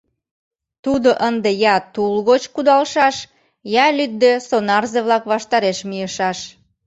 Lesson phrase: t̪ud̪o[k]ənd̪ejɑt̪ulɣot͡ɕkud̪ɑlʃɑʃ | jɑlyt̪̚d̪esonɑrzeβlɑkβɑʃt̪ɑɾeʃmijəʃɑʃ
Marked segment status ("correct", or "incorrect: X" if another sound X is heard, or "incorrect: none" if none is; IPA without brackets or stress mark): incorrect: ʔ